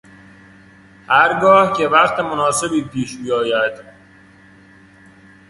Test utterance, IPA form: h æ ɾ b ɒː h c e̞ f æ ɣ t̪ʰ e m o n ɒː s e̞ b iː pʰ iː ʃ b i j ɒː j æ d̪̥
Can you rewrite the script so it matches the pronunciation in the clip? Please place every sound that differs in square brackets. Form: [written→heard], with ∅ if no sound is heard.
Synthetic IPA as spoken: h æ ɾ [b→ɡ] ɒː h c e̞ [f→v] æ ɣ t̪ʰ e m o n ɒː s e̞ b iː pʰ iː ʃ b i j ɒː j æ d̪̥